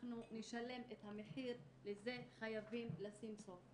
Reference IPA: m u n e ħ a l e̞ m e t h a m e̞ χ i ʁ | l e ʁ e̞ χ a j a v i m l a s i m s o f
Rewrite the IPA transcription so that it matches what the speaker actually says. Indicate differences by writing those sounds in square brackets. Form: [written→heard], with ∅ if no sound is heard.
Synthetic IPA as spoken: [m→n] u n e [ħ→ʃ] a l e̞ m e t h a m e̞ [χ→ħ] i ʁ | l e [ʁ→z] e̞ χ a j a v i m l a s i m s o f

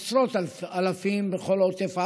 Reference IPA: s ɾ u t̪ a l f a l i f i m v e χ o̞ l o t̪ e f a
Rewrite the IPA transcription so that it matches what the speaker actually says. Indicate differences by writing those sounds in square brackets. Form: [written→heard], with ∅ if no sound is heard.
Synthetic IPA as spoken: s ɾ [u→o] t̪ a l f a l [i→a] f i m [v→b] e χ o̞ l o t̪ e f a

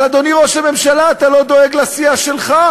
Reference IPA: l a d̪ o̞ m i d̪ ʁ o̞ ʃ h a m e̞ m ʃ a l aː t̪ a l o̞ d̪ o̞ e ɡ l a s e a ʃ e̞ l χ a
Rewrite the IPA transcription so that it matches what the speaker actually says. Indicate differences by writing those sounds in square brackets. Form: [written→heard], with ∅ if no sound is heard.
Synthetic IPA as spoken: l a d̪ o̞ [m→n] i [d̪→∅] ʁ o̞ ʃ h a m e̞ m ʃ a l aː t̪ a l o̞ d̪ o̞ e ɡ l a s [e→i] a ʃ e̞ l χ a

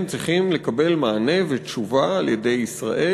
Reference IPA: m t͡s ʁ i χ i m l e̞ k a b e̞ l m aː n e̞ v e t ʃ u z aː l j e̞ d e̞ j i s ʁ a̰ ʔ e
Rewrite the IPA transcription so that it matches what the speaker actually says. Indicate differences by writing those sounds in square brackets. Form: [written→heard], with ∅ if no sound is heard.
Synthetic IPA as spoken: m t͡s ʁ i χ i m l e̞ k a b e̞ l m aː n e̞ v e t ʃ u [z→v] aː l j e̞ d e̞ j i s ʁ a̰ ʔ e

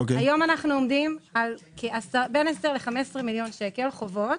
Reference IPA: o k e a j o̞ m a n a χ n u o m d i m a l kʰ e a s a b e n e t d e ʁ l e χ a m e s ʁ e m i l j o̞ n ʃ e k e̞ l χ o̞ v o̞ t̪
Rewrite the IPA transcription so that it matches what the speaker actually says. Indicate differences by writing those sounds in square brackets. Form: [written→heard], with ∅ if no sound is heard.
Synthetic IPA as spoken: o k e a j o̞ m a n a χ n u o m d i m a l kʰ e a s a b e n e [t→s] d e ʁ l e χ a m e s ʁ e m i l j o̞ n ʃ e k e̞ l χ o̞ v o̞ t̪

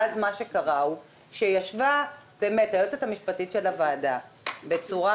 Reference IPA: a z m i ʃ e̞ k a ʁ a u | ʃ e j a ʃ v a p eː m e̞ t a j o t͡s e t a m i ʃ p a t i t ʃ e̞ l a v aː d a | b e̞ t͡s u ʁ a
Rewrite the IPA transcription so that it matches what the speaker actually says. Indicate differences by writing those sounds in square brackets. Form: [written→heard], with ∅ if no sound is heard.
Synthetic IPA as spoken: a z m [i→a] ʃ e̞ k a ʁ a u | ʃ e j a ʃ v a [p→b] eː m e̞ t a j o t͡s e t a m i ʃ p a t i t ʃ e̞ l a v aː d a | b e̞ t͡s u ʁ a

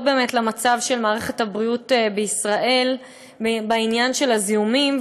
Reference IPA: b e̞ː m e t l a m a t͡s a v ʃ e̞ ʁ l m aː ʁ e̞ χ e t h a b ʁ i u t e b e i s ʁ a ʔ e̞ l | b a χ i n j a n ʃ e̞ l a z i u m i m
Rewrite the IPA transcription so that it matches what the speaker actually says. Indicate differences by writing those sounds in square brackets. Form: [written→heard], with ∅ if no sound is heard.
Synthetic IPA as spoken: b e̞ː m e t l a m a t͡s a v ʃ e̞ [ʁ→∅] l m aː ʁ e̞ χ e t h a b ʁ i u t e b e i s ʁ a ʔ e̞ l | b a [χ→∅] i n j a n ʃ e̞ l a z i u m i m

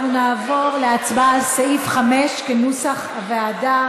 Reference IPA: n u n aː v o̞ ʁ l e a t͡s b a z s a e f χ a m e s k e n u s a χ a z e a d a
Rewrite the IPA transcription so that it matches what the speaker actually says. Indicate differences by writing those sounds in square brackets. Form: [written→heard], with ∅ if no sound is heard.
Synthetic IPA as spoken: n u n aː v o̞ ʁ l e a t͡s b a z s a [e→i] f χ a m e [s→ʃ] k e n u s a χ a [z→v] e a d a

